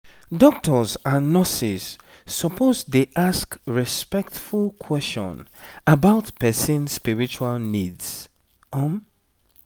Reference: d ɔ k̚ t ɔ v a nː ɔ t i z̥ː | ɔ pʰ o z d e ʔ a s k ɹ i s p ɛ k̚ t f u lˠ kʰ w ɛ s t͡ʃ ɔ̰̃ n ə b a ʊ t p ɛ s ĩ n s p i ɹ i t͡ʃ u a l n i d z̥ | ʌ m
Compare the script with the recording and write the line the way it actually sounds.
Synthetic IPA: d ɔ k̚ t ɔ z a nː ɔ s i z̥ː | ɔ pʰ o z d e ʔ a s k ɹ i s p ɛ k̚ t f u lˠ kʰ w ɛ s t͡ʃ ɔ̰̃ n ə b a ʊ t p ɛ s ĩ n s p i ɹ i t͡ʃ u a l n i d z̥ | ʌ m